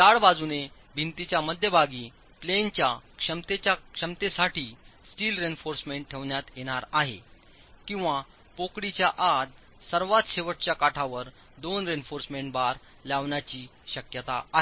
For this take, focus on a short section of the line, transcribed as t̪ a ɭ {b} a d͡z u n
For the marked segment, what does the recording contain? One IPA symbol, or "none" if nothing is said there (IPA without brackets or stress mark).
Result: b